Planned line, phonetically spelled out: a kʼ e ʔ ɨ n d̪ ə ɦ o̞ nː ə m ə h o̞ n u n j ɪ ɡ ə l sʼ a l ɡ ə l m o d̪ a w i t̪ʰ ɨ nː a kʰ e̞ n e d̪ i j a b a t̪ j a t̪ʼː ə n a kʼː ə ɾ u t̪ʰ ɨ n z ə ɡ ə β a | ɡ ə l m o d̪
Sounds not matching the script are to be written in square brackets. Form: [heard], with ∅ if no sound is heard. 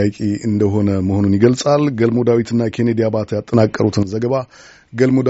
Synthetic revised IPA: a kʼ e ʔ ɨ n d̪ ə ɦ o̞ [n] ə m ə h o̞ n u n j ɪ ɡ ə l sʼ a l ɡ ə l m o d̪ a w i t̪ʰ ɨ nː a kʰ e̞ n e d̪ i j a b a t̪ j a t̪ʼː ə n a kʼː ə ɾ u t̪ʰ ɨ n z ə ɡ ə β a | ɡ ə l m o d̪